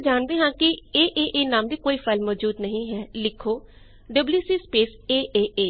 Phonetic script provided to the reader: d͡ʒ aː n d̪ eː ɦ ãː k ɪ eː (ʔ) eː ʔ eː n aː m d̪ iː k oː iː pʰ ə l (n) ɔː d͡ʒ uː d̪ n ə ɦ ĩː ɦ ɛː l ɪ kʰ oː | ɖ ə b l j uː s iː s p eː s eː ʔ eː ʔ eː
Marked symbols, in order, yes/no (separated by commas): yes, no